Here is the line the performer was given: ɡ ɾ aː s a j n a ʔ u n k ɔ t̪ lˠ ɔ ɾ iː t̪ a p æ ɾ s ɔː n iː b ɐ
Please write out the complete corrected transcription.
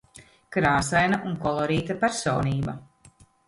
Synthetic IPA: k ɾ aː s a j n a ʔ u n k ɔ lˠ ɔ ɾ iː t̪ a p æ ɾ s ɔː n iː b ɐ